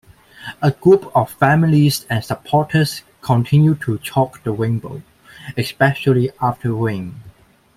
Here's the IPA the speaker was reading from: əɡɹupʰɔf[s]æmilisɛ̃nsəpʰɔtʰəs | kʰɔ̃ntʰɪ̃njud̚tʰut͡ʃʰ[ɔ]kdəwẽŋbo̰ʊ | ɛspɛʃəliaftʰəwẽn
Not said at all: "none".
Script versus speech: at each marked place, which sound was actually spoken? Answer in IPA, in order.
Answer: f, ɔ

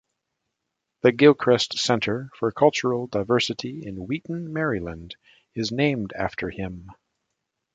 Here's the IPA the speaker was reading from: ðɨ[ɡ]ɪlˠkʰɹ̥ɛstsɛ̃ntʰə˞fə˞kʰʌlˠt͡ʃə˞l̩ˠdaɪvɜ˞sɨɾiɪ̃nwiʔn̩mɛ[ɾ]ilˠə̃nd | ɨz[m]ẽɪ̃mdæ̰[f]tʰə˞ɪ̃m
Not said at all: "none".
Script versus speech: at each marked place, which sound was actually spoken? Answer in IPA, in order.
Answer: ɡ, ɹ, n, f

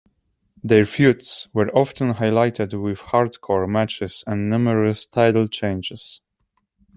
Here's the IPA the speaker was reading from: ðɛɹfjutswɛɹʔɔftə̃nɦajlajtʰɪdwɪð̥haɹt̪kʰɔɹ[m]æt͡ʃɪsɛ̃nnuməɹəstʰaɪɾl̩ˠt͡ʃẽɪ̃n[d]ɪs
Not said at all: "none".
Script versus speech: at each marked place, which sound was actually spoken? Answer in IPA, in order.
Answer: m, d͡ʒ

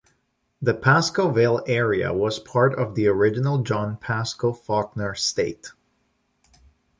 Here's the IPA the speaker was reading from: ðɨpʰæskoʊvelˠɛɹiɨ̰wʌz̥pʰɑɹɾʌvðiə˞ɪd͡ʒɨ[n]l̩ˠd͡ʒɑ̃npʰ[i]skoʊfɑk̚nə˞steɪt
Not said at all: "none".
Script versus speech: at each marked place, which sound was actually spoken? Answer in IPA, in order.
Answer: n, æ

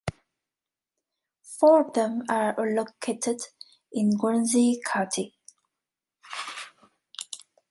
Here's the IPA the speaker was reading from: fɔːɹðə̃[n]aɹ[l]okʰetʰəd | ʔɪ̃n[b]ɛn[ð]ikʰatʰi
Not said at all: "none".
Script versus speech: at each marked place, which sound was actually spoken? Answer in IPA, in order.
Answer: m, l, ɡ, z

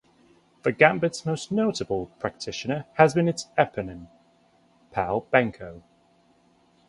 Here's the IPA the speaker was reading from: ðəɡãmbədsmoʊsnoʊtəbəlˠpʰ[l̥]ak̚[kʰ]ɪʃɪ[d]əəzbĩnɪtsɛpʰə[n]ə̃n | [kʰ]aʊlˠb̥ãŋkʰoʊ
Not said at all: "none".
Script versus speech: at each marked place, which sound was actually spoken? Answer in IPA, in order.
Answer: ɹ̥, tʰ, n, n, pʰ

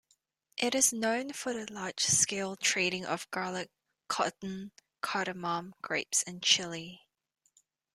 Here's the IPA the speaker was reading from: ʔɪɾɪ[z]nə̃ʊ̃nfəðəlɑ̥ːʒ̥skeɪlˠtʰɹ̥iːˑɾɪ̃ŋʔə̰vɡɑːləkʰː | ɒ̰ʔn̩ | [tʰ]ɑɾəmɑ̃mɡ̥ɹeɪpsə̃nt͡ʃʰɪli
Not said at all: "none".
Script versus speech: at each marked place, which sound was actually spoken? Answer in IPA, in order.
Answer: z, kʰ

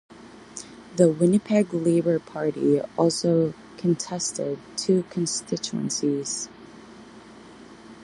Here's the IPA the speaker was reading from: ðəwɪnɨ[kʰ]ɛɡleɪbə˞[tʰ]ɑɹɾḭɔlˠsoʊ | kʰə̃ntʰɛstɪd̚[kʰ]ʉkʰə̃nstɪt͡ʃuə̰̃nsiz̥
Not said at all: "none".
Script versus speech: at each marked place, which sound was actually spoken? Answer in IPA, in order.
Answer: pʰ, pʰ, tʰ

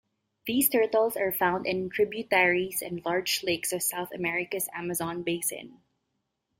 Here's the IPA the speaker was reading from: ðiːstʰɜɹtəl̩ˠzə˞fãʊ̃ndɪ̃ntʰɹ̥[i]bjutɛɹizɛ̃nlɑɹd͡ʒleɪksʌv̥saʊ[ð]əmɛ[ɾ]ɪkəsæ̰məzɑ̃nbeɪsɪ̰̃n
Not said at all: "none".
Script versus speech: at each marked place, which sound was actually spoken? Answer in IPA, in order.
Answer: ɪ, θ, ɹ

